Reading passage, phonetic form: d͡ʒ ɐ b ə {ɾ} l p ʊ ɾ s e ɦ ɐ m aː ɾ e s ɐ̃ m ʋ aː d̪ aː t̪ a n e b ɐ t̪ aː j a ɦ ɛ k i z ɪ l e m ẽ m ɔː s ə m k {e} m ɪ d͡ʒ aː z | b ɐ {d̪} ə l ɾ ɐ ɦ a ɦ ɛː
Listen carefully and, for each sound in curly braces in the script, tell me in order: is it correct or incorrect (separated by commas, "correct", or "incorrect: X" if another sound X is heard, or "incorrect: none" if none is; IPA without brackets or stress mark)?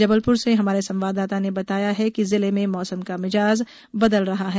incorrect: none, incorrect: a, correct